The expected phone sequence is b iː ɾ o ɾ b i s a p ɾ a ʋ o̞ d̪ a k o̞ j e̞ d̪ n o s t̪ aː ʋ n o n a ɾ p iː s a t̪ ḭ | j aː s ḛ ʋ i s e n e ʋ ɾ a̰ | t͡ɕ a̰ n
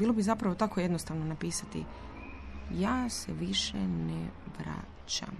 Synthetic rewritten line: b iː l o b i z a p ɾ a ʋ o̞ t̪ a k o̞ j e̞ d̪ n o s t̪ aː ʋ n o n a p iː s a t̪ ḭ | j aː s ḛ ʋ i ʃ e n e ʋ ɾ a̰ | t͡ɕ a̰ m